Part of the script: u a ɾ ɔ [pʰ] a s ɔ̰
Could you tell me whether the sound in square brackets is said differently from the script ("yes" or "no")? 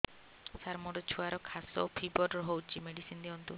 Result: yes